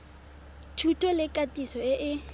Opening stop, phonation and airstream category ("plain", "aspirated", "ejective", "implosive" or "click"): aspirated